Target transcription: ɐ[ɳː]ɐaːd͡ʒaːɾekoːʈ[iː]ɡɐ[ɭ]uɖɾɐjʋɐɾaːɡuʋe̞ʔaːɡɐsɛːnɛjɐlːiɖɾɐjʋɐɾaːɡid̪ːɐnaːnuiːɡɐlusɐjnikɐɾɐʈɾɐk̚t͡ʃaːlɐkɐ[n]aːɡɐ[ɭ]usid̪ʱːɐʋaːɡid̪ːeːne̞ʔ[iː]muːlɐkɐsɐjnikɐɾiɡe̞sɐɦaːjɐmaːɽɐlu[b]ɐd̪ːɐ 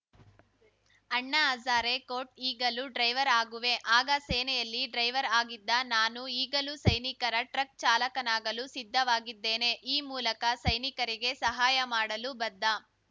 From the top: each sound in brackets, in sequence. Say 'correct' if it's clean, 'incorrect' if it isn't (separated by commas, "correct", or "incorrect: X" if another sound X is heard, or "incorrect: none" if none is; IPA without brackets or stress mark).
correct, correct, incorrect: l, correct, incorrect: l, correct, correct